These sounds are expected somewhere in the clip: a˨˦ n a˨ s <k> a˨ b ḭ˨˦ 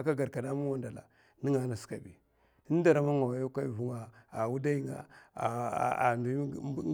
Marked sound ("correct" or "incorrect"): correct